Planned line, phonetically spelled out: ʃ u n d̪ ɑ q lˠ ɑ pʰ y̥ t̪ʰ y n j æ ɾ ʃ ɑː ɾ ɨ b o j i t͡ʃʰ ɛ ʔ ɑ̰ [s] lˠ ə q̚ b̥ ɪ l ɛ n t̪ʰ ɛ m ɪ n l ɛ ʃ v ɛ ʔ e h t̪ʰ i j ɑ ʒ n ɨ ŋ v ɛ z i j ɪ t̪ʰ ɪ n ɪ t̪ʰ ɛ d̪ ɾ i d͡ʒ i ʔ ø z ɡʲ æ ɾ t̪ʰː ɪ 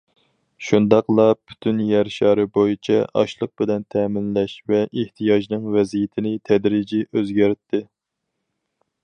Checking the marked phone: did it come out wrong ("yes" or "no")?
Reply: yes